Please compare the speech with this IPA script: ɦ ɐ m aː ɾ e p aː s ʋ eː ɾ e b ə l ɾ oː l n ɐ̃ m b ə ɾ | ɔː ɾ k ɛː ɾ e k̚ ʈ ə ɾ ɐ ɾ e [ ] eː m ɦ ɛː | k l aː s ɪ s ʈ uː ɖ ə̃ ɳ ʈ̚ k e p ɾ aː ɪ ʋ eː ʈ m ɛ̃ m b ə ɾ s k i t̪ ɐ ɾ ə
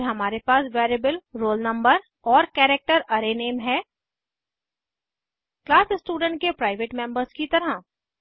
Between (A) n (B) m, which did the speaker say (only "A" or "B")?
A